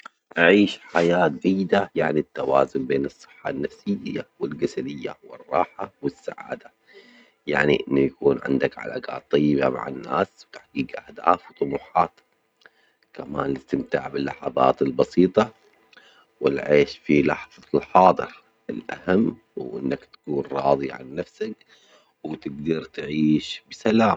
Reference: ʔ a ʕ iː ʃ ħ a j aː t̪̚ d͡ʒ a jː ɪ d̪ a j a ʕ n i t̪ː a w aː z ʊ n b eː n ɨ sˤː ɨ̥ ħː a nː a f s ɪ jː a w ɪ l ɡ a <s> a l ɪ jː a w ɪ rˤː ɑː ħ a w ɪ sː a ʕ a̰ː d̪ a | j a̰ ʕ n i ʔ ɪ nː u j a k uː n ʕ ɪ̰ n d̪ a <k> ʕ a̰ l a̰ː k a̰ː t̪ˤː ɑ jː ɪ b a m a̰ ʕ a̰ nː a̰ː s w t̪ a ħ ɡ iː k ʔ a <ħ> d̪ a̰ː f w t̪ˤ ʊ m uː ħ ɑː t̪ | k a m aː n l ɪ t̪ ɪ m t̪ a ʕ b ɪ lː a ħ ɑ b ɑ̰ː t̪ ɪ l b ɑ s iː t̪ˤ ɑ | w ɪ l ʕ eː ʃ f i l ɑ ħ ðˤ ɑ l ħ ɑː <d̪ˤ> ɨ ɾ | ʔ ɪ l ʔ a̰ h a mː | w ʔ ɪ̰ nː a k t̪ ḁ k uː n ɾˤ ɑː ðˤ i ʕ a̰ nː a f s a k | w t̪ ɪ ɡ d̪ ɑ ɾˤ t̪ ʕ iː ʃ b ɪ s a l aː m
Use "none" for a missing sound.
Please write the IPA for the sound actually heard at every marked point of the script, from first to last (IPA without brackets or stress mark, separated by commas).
s, k, h, d̪ˤ